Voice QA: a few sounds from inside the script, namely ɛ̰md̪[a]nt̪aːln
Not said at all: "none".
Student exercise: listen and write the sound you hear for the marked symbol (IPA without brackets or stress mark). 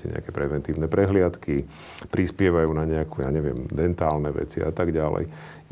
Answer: ɛ